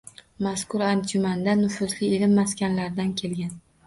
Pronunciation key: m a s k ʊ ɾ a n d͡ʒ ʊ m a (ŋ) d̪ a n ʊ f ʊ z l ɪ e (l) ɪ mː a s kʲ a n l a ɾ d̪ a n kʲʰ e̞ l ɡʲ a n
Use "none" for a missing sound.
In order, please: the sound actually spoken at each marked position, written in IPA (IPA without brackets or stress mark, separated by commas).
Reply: n, l